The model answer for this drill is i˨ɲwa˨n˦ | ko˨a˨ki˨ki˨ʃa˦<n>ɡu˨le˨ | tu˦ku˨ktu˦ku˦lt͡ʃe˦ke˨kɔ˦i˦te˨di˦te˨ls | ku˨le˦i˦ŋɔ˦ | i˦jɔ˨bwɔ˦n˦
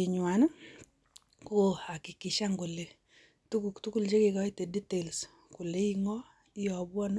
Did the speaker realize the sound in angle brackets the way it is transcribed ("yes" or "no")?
no